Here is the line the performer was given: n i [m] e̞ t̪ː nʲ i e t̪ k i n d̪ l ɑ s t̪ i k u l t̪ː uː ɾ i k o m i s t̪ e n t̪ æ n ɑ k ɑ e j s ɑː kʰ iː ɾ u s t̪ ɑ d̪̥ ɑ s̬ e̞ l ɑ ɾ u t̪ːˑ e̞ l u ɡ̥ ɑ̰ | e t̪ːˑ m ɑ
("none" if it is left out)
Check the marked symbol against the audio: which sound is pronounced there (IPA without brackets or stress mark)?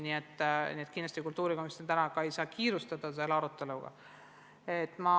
none